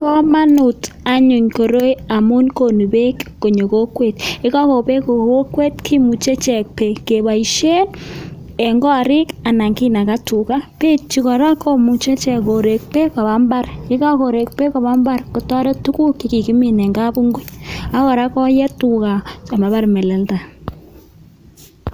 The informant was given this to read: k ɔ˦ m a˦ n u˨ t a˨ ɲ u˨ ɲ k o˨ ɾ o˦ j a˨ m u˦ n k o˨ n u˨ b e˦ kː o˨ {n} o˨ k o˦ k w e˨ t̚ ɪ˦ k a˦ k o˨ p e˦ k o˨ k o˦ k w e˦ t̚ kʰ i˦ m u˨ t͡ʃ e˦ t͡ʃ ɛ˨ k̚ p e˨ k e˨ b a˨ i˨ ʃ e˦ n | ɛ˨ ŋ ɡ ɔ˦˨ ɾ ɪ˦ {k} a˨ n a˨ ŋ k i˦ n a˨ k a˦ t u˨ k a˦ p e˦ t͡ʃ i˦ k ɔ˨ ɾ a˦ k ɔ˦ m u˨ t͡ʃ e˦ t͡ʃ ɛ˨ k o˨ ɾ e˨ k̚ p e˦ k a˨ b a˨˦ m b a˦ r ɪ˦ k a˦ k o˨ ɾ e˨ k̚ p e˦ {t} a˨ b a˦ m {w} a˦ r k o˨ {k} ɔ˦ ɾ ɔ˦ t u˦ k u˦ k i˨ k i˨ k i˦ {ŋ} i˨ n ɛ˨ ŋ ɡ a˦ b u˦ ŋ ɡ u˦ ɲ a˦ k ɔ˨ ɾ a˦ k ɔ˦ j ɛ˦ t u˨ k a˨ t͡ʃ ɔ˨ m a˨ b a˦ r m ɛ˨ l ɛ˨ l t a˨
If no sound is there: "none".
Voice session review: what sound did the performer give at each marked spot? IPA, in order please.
ɲ, k, k, b, t, m

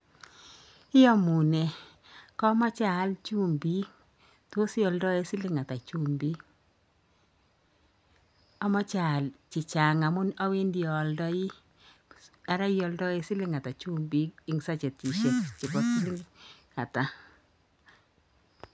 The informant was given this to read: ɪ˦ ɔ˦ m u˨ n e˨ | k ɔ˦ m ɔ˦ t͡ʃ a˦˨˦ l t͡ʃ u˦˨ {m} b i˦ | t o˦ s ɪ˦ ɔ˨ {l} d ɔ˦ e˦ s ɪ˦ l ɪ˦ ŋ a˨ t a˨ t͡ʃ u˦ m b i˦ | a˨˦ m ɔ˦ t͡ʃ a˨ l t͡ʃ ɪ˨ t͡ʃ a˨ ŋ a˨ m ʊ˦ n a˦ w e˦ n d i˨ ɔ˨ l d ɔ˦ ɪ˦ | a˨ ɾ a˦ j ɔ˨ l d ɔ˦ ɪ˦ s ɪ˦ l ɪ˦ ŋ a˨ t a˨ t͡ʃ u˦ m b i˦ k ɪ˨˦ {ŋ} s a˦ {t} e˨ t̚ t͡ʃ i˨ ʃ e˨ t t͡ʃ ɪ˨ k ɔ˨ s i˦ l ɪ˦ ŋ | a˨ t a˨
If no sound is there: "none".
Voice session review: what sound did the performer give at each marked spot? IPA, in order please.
m, l, ŋ, t͡ʃ

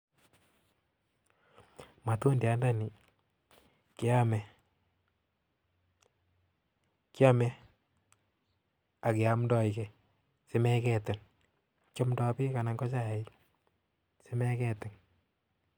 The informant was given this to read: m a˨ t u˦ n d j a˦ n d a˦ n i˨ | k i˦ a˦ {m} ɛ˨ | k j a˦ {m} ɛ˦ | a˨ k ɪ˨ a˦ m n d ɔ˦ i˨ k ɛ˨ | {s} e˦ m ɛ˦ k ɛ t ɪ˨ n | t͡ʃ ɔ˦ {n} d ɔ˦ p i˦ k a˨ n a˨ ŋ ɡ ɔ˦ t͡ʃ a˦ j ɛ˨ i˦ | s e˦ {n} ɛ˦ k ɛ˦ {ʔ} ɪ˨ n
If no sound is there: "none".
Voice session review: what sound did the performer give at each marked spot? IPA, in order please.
m, m, s, m, m, t

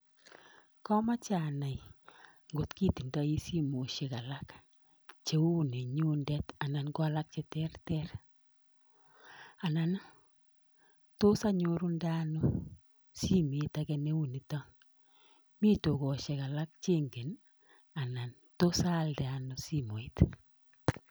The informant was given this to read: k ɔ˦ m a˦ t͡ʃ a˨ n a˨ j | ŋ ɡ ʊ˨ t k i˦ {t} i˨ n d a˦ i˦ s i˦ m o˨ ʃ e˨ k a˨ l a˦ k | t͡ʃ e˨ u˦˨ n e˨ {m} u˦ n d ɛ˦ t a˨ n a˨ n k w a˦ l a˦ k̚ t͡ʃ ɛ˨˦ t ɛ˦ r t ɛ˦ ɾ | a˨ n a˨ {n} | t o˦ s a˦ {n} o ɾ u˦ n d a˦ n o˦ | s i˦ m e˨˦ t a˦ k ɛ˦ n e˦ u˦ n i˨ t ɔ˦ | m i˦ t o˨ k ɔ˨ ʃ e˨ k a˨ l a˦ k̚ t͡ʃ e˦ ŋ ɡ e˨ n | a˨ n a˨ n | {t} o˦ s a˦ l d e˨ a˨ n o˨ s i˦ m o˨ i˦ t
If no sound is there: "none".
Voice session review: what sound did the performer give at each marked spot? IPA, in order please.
t, ɲ, n, ɲ, t

